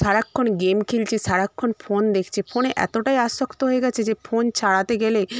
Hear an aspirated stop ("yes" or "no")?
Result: yes